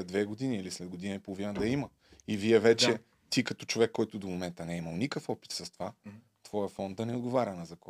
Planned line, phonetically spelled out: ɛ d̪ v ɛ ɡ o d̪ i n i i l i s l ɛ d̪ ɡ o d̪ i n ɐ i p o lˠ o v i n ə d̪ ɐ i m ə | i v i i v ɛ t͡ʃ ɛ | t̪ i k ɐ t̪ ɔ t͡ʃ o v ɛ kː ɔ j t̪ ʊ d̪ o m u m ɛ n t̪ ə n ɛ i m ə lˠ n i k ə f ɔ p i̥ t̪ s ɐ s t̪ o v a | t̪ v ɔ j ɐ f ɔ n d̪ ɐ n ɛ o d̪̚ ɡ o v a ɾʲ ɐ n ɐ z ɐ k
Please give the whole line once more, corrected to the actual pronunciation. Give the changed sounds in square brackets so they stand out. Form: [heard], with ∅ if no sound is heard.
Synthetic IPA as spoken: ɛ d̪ v ɛ ɡ o d̪ i n i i l i s l ɛ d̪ ɡ o d̪ i n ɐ i p o lˠ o v i n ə d̪ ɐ i m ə | i v i [ɛ] v ɛ t͡ʃ ɛ | t̪ i k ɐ t̪ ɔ t͡ʃ o v ɛ kː ɔ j t̪ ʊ d̪ o m [o] m ɛ n t̪ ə n ɛ i m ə lˠ n i k ə f ɔ p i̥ t̪ s ɐ s t̪ o v a | t̪ v ɔ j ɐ f ɔ n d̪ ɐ n ɛ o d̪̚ ɡ o v a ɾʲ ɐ n ɐ z ɐ k